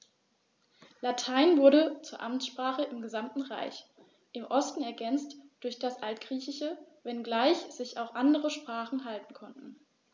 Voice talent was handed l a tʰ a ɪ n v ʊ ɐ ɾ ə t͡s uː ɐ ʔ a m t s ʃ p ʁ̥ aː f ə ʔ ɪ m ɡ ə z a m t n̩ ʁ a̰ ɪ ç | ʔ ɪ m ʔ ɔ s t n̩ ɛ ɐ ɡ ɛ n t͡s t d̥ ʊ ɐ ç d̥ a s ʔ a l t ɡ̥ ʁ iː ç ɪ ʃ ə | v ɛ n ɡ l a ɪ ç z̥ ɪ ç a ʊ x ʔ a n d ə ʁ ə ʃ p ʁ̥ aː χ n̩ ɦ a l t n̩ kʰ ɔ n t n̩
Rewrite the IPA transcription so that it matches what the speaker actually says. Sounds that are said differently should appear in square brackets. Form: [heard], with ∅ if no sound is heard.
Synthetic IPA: l a tʰ a ɪ n v ʊ ɐ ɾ ə t͡s uː ɐ ʔ a m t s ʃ p ʁ̥ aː [χ] ə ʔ ɪ m ɡ ə z a m t n̩ ʁ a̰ ɪ ç | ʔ ɪ m ʔ ɔ s t n̩ ɛ ɐ ɡ ɛ n t͡s t d̥ ʊ ɐ ç d̥ a s ʔ a l t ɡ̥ ʁ iː ç ɪ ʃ ə | v ɛ n ɡ l a ɪ ç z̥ ɪ ç a ʊ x ʔ a n d ə ʁ ə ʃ p ʁ̥ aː χ n̩ ɦ a l t n̩ kʰ ɔ n t n̩